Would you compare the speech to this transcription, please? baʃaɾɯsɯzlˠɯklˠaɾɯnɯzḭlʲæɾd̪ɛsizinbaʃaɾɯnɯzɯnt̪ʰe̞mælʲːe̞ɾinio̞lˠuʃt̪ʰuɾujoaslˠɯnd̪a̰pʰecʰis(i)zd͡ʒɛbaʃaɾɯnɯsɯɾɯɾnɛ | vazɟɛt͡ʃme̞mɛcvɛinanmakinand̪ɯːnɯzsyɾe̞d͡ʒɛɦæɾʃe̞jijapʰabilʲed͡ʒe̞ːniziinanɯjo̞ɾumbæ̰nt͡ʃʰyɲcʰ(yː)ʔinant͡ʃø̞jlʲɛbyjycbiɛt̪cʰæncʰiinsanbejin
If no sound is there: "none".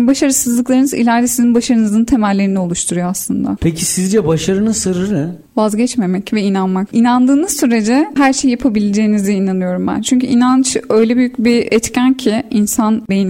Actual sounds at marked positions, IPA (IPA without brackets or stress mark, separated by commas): i, y